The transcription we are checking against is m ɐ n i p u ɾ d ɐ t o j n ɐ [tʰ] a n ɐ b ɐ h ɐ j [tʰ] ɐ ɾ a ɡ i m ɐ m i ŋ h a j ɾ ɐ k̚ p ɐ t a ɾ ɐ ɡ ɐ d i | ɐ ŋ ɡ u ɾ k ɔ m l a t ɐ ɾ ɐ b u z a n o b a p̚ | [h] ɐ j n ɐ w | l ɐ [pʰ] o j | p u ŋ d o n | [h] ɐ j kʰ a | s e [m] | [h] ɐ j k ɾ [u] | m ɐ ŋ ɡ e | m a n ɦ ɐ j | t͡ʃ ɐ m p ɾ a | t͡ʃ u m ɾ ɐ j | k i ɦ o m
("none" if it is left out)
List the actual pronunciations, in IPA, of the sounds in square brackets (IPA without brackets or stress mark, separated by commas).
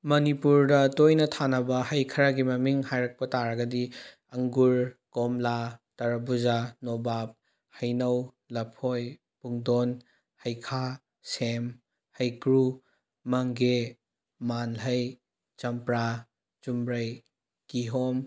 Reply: tʰ, kʰ, h, pʰ, h, m, h, u